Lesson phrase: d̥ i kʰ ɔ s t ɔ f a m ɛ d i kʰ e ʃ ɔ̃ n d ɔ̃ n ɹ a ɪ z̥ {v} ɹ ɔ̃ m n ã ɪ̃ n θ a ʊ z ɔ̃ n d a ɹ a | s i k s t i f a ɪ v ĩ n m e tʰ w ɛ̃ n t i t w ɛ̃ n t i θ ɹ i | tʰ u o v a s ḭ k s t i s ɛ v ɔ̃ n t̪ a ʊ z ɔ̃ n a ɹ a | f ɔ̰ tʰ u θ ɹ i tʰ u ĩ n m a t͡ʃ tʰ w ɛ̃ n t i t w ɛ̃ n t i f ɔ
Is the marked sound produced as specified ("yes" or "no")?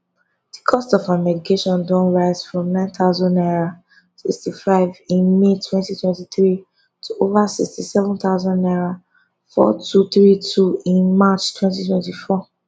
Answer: no